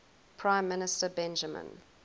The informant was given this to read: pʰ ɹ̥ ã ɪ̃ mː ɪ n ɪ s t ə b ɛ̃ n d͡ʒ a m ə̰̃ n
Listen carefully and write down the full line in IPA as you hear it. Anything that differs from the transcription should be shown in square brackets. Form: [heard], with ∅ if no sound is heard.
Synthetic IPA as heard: pʰ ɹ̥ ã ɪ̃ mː ɪ n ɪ s t ə b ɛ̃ n d͡ʒ [ə] m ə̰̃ n